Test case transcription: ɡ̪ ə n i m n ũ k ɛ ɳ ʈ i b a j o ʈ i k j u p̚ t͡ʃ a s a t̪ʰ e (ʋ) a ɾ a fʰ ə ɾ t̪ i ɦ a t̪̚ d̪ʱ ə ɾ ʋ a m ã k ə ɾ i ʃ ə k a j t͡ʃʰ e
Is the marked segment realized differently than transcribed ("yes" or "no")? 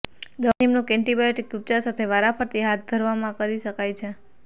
no